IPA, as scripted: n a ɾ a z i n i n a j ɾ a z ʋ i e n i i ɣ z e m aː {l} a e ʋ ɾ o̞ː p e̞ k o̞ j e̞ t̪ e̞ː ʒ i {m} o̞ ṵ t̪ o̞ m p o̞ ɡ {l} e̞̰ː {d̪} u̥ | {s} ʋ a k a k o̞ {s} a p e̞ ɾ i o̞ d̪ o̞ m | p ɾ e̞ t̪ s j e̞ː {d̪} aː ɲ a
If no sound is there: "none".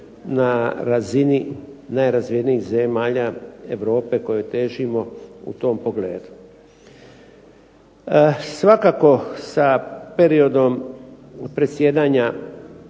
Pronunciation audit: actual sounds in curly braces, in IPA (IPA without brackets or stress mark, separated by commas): ʎ, m, l, d̪, s, s, d̪